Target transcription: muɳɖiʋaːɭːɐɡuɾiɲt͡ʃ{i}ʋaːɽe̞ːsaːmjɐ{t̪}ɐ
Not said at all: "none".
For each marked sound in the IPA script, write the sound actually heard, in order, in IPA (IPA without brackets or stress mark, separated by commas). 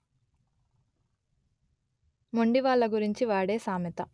i, t̪